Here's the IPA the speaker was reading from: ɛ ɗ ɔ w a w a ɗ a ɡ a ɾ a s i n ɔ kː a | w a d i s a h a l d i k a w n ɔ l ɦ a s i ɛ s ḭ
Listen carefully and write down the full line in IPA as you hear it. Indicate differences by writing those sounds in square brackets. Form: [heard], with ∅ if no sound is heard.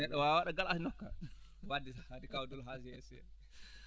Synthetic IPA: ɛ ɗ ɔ w a w a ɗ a ɡ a [l] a s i n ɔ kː a | w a d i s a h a [∅] d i k a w [d] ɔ l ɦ a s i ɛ s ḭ

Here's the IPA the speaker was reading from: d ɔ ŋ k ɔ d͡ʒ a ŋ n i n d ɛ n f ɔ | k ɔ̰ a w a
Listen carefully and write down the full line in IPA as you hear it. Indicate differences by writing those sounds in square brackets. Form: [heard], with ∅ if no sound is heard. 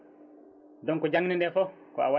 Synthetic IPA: d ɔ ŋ k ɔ d͡ʒ a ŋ n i n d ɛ [∅] f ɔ | k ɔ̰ a w a

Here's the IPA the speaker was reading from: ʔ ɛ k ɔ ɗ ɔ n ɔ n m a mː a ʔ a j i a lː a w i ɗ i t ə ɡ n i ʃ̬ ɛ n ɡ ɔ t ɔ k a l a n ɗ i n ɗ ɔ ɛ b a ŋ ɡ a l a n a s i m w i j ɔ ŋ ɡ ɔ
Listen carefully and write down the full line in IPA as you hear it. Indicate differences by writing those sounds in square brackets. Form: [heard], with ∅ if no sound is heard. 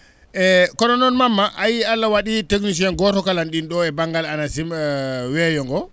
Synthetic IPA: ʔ ɛ k ɔ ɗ ɔ n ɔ n m a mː a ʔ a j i a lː a w [a] ɗ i t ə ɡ n i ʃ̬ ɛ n ɡ ɔ t ɔ k a l a n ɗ i n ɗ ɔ ɛ b a ŋ ɡ a l a n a s i m w [ɛ] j ɔ ŋ ɡ ɔ

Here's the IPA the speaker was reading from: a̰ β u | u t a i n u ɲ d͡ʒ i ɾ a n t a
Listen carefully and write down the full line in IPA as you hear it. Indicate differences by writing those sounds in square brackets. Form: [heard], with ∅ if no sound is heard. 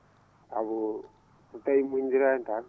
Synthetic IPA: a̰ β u | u t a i [m] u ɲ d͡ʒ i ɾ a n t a

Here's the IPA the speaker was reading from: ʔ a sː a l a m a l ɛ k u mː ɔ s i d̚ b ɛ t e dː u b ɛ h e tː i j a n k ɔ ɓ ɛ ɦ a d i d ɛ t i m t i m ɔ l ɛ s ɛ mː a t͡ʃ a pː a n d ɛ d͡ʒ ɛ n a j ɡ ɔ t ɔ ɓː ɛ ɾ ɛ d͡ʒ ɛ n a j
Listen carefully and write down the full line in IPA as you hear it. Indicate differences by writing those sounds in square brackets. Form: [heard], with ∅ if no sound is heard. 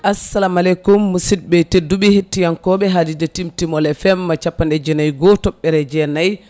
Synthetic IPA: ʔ a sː a l a m a l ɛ k u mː [u] s i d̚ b ɛ t e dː u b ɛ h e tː i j a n k ɔ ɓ ɛ ɦ a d i d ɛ t i m t i m ɔ l ɛ [f] ɛ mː a t͡ʃ a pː a n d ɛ d͡ʒ ɛ n a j ɡ ɔ t ɔ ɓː ɛ ɾ ɛ d͡ʒ ɛ n a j

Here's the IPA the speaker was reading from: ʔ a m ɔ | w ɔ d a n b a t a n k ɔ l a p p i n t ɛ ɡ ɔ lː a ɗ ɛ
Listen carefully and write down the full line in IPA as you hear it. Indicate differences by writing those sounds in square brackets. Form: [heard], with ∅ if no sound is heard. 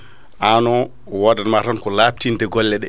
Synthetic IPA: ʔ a [n] ɔ | w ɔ d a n [m] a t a n k ɔ l a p [t] i n t ɛ ɡ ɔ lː [ɛ] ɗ ɛ

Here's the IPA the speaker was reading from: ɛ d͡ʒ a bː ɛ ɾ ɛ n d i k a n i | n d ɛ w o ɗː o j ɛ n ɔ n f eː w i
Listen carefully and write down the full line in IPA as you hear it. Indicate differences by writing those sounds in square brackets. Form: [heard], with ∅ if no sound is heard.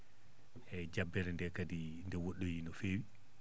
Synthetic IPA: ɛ d͡ʒ a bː ɛ ɾ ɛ n d [ɛ] k a [d] i | n d ɛ w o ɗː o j [i] n ɔ [∅] f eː w i

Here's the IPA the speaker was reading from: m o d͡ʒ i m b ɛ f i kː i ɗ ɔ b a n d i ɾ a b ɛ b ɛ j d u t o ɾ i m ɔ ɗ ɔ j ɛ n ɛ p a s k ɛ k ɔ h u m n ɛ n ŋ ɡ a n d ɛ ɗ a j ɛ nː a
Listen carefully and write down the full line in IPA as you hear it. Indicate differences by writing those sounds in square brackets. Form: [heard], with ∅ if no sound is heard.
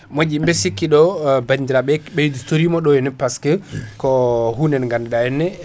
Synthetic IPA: m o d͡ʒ i m b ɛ [s] i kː i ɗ ɔ b a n d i ɾ a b ɛ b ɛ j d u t o ɾ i m ɔ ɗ ɔ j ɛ n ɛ p a s k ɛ k ɔ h u [∅] n ɛ n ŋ ɡ a n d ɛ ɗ a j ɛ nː [ɛ]

